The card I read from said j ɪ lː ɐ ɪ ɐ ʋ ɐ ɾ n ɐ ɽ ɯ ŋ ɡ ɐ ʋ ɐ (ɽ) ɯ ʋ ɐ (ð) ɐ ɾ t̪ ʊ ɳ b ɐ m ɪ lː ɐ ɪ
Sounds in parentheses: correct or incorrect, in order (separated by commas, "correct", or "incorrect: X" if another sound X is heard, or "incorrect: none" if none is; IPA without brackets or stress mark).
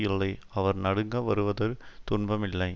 incorrect: ɾ, correct